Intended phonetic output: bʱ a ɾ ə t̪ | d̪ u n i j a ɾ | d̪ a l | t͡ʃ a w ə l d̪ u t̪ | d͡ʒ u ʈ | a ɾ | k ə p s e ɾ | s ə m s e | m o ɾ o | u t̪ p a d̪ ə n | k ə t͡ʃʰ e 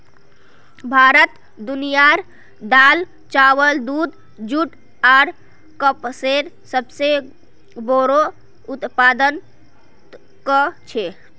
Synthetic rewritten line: bʱ a ɾ ə t̪ | d̪ u n i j a ɾ | d̪ a l | t͡ʃ a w ə l d̪ u d̪ | d͡ʒ u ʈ | a ɾ | k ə p s e ɾ | s ə b s e | b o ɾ o | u t̪ p a d̪ ə n | k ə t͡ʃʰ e